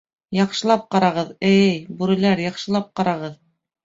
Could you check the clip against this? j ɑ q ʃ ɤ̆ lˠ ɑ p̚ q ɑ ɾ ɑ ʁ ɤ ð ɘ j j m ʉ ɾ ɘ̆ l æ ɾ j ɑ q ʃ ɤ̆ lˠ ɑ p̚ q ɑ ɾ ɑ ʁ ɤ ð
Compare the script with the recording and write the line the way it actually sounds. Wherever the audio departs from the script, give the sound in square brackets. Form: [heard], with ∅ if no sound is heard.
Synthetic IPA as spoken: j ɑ q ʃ ɤ̆ lˠ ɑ p̚ q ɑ ɾ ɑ ʁ ɤ ð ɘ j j [b] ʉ ɾ ɘ̆ l æ ɾ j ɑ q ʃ ɤ̆ lˠ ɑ p̚ q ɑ ɾ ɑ ʁ ɤ ð